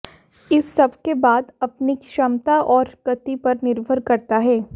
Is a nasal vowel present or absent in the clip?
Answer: absent